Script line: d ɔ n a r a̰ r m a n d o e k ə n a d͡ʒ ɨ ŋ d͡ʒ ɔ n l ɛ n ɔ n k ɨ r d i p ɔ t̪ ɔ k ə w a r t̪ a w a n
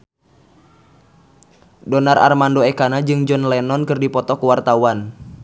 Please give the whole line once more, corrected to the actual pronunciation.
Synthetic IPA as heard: d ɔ n a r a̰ r m a n d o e k a n a d͡ʒ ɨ ŋ d͡ʒ ɔ n l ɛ n ɔ n k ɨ r d i p ɔ t̪ ɔ k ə w a r t̪ a w a n